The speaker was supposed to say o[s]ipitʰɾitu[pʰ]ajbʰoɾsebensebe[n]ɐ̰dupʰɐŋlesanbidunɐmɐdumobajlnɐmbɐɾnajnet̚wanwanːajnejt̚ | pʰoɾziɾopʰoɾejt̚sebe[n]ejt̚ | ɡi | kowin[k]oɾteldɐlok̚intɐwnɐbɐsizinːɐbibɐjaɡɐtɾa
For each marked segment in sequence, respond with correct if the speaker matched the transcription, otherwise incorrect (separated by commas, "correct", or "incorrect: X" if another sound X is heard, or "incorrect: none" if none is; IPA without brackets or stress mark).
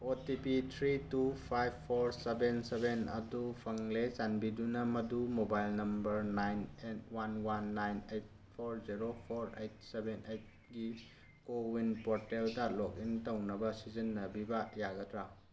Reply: incorrect: t, correct, correct, correct, incorrect: p